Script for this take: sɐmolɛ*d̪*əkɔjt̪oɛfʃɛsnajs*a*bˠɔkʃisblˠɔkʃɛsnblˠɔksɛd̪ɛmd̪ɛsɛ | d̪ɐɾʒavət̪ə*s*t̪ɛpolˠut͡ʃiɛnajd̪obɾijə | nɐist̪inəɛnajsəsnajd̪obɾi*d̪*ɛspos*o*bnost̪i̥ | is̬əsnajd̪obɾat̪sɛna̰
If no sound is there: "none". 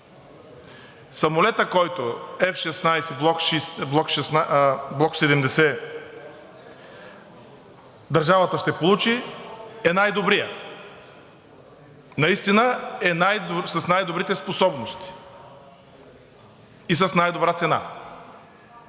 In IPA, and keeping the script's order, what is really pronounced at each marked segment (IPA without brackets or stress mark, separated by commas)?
t̪, ɛ, ʃ, t̪, ɔ